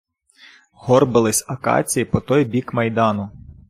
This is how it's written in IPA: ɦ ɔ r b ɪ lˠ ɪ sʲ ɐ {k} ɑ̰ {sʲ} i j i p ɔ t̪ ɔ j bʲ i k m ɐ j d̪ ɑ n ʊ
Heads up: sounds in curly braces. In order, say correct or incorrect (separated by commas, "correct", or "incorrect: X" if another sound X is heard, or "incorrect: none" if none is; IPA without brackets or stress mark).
correct, incorrect: t͡sʲ